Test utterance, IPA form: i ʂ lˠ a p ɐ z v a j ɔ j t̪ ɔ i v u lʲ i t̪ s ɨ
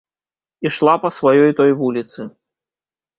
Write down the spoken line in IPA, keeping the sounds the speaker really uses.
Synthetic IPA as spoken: i ʂ lˠ a p ɐ s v a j ɔ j t̪ ɔ j v u lʲ i t̪ s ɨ